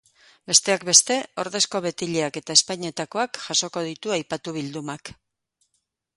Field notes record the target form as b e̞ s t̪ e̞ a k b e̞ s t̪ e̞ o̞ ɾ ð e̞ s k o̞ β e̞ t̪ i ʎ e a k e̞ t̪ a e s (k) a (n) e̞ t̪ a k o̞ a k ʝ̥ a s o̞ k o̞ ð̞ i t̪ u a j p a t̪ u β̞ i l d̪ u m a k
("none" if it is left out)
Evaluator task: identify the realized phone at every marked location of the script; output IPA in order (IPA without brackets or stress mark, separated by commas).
p, ɲ